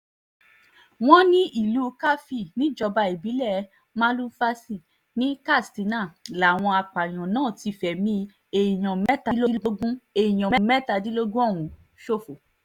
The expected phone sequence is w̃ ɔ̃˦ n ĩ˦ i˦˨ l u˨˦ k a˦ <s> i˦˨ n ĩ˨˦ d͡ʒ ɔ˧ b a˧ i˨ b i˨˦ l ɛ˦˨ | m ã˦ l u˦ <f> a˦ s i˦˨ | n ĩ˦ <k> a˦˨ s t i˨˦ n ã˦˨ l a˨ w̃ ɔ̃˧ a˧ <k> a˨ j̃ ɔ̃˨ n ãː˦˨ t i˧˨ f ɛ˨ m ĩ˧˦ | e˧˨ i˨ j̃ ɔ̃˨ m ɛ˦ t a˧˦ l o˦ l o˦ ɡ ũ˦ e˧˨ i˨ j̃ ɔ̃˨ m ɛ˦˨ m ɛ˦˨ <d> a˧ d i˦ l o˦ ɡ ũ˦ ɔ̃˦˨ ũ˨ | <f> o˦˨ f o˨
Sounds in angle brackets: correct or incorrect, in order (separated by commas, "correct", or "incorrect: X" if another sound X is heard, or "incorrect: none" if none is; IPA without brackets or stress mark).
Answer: incorrect: f, correct, correct, incorrect: k͡p, incorrect: t, incorrect: ʃ